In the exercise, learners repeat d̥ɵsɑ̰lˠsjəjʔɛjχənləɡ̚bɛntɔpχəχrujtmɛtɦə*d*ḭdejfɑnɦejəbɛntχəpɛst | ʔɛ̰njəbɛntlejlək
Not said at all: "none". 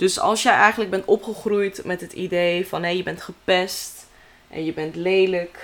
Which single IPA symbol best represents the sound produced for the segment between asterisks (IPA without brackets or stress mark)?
t